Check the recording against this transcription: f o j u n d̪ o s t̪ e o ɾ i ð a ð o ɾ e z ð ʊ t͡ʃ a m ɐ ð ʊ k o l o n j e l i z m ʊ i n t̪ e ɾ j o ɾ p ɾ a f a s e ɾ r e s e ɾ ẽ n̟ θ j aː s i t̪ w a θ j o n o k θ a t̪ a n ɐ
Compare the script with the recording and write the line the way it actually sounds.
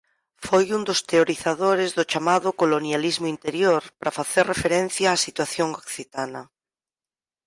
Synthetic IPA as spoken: f o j u n d̪ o s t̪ e o ɾ i θ a ð o ɾ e z ð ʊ t͡ʃ a m a ð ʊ k o l o n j a l i z m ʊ i n t̪ e ɾ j o ɾ p ɾ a f a θ e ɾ r e f e ɾ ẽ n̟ θ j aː s i t̪ w a θ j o ŋ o k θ i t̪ a n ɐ